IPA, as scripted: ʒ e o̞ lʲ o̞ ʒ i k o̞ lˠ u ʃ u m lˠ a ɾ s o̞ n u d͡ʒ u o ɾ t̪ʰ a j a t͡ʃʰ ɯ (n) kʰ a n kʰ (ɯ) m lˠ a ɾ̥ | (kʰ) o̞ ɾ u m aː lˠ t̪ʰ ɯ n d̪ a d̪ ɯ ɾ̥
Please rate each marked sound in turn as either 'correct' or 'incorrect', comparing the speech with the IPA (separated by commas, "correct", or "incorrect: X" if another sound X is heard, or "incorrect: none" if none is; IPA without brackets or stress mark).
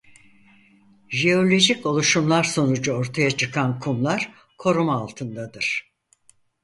incorrect: none, incorrect: u, correct